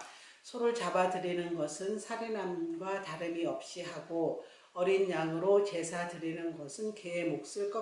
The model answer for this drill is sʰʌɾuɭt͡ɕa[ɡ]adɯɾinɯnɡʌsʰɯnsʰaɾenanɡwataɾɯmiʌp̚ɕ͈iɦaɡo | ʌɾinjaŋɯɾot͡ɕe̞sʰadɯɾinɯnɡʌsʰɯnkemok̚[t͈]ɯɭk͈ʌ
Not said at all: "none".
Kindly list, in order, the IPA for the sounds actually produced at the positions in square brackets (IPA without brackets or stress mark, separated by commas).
b, s͈